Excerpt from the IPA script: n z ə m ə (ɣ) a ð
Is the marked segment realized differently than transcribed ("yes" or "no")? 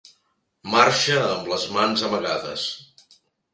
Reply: no